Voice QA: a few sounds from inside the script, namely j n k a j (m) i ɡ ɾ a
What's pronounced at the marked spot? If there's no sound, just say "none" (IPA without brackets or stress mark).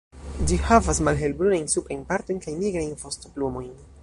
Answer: n